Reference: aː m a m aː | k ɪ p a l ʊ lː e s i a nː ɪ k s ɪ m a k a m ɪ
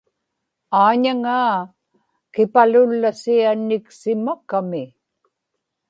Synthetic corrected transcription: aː ɲ a ŋ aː | k ɪ p a l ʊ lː a s i a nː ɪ k s ɪ m a k a m ɪ